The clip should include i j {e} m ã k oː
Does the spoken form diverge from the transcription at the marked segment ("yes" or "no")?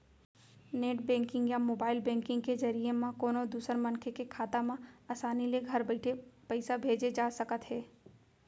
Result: no